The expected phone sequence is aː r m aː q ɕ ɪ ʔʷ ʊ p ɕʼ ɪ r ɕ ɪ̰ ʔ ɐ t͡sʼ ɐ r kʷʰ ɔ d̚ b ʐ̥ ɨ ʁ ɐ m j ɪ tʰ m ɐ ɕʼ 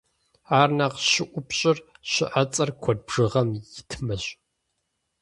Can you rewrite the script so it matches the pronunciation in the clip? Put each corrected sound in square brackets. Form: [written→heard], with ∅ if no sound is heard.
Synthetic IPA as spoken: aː r [m→n] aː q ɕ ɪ ʔʷ ʊ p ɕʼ ɪ r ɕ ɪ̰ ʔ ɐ t͡sʼ ɐ r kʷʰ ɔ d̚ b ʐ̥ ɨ ʁ ɐ m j ɪ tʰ m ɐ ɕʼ